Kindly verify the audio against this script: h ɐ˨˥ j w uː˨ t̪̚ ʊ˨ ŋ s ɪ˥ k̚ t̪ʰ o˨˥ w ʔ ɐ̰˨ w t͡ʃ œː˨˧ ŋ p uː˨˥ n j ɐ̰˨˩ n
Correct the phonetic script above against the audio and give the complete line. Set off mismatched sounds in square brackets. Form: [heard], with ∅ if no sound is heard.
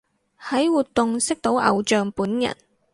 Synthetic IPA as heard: h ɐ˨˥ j w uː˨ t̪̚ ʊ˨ ŋ s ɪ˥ k̚ [t̪] o˨˥ w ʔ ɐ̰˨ w t͡ʃ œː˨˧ ŋ p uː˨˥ n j ɐ̰˨˩ n